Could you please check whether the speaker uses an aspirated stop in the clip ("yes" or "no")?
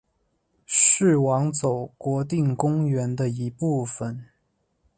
no